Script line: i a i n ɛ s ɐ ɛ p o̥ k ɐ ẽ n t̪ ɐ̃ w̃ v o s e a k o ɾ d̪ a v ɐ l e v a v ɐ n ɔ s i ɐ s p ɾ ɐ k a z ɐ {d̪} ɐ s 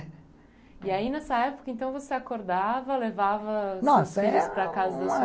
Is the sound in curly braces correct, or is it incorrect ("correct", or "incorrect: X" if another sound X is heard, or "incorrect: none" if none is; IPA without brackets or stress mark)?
correct